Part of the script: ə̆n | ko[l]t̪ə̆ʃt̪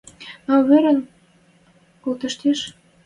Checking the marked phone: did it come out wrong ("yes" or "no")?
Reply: no